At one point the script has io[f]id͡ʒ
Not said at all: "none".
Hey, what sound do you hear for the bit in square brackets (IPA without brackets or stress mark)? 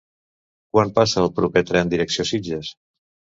s